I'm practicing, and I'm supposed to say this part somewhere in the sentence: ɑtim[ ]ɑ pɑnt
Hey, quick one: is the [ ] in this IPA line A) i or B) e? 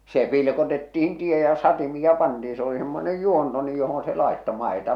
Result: A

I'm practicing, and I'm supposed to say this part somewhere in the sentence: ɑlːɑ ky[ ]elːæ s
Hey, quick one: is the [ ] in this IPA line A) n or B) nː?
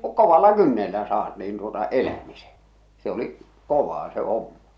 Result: B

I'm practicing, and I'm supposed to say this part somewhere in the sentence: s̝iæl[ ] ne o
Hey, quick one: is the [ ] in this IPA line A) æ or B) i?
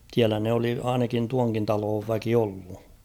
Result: A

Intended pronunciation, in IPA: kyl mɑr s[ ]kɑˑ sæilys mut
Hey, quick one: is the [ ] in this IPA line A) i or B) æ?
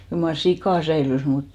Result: A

